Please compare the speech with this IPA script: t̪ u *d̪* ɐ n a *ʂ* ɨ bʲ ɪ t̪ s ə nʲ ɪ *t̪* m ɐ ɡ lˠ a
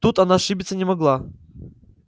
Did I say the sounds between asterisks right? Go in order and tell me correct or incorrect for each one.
incorrect: t̪, correct, incorrect: none

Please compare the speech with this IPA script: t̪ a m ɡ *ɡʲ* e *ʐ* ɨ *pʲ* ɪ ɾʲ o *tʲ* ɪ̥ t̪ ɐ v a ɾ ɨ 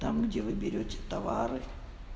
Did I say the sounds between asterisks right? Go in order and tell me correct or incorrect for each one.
incorrect: dʲ, incorrect: v, incorrect: bʲ, correct

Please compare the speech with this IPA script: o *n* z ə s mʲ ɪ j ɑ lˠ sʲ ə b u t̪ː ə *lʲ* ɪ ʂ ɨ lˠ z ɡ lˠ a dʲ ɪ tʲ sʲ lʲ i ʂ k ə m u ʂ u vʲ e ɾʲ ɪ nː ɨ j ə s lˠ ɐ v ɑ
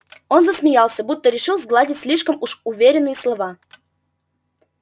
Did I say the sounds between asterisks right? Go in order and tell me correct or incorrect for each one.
correct, incorrect: ɾʲ

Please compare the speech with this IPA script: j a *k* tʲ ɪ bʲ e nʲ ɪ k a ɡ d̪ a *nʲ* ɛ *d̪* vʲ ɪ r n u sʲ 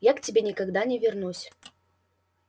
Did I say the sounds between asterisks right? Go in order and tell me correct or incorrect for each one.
correct, correct, incorrect: none

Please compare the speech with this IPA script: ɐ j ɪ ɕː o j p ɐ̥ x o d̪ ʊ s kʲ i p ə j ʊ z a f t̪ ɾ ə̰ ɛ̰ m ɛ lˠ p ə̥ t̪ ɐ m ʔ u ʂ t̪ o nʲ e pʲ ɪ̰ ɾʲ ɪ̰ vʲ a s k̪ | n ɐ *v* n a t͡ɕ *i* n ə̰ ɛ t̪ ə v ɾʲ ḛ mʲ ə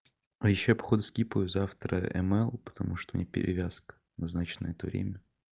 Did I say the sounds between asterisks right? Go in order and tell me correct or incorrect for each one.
incorrect: z, incorrect: ɪ

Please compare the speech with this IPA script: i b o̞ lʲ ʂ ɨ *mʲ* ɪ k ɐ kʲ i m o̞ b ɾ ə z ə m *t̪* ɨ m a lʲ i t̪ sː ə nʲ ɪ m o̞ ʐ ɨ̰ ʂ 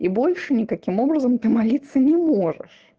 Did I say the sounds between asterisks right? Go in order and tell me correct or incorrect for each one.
incorrect: nʲ, correct

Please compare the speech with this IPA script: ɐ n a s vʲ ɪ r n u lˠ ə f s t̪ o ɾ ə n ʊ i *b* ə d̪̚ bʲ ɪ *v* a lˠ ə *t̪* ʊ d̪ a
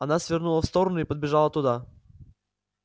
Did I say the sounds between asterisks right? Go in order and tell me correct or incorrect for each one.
incorrect: p, incorrect: ʐ, correct

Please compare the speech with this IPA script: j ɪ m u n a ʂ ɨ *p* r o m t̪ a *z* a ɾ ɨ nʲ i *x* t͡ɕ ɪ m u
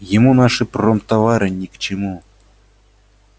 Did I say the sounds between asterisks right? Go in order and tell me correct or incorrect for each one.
correct, incorrect: v, incorrect: k

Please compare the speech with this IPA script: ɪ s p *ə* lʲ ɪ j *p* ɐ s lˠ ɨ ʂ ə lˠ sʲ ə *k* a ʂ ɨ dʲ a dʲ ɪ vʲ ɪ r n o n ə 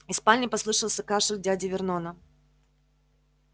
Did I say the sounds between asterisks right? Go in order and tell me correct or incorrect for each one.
incorrect: a, correct, correct

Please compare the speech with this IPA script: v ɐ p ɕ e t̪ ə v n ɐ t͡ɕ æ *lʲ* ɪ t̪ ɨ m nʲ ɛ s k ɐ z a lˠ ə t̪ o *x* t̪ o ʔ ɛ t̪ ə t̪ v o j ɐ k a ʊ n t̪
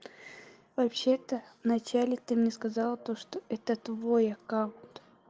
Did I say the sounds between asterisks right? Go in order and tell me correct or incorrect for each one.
correct, incorrect: ʂ

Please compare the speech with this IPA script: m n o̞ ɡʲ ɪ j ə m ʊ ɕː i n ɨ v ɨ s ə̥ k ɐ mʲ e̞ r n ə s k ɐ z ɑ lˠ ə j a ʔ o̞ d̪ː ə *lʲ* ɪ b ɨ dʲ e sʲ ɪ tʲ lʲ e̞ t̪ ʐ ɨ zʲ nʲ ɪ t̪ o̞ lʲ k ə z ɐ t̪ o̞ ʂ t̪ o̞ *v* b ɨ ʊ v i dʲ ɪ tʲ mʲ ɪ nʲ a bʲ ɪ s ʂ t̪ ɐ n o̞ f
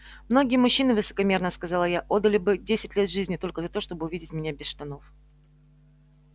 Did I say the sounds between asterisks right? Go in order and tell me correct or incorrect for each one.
correct, incorrect: none

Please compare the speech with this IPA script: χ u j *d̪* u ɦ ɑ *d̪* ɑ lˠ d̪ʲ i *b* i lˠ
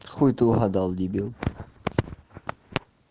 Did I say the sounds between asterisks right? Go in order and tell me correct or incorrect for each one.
incorrect: t̪, correct, correct

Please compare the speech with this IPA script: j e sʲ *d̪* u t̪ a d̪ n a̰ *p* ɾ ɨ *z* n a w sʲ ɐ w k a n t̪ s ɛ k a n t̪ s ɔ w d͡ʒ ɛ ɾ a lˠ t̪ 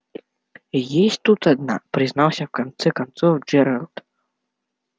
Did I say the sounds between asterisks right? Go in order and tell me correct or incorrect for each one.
incorrect: t̪, correct, correct

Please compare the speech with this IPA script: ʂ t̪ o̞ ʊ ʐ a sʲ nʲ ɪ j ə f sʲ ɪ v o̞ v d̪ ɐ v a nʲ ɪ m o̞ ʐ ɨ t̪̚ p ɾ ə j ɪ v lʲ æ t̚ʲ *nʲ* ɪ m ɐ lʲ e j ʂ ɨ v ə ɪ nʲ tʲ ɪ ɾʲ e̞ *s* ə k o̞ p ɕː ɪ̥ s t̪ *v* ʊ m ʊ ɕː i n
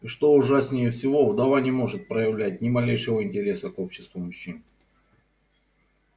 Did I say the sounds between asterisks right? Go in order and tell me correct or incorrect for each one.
correct, correct, correct

